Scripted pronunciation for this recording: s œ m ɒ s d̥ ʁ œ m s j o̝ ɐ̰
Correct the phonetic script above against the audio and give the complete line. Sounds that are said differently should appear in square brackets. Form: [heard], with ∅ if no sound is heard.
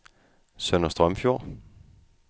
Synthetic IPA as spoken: s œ [n] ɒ s d̥ ʁ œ m [f] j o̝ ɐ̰